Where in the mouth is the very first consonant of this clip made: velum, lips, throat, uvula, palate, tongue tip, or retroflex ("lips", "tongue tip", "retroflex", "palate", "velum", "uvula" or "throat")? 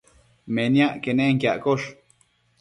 lips